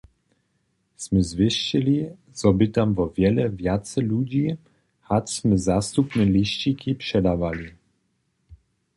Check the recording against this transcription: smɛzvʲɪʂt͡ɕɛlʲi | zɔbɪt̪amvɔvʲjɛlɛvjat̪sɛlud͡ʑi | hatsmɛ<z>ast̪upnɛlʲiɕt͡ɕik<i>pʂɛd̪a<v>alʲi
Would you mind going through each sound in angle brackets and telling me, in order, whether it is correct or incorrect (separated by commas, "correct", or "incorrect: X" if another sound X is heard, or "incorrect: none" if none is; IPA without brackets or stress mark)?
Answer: correct, correct, correct